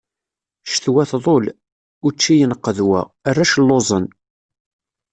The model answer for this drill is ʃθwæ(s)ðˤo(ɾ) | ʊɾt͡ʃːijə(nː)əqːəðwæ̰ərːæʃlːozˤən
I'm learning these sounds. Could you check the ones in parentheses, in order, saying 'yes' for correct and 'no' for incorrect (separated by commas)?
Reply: no, no, no